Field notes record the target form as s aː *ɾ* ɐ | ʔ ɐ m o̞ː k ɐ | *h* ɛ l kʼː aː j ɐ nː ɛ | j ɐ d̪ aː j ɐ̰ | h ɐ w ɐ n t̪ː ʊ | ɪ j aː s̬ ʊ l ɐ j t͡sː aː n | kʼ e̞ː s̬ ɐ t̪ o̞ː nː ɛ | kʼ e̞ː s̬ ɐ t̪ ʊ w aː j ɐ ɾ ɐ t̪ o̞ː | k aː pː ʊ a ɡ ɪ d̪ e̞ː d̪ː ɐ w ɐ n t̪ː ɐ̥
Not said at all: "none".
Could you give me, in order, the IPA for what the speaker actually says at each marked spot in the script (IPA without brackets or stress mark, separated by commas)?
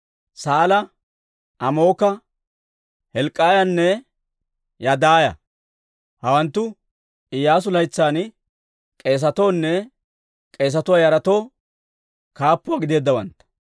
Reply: l, h